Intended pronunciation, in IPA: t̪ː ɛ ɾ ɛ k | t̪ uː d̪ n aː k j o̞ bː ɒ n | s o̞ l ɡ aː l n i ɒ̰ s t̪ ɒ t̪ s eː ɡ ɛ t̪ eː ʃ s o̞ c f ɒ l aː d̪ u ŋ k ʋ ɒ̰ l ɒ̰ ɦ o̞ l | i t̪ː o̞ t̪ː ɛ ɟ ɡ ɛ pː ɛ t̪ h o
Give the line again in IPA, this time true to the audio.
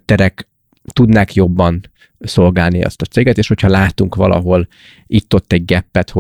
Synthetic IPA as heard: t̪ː ɛ ɾ ɛ k | t̪ u d̪ n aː k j o̞ bː ɒ n | s o̞ l ɡ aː l n i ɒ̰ s t̪ ɒ t̪ s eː ɡ ɛ t̪ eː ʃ h o̞ c h ɒ l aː t̪ u ŋ k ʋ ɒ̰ l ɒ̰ ɦ o̞ l | i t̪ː o̞ t̪ː ɛ ɟ ɡ ɛ pː ɛ t̪ h o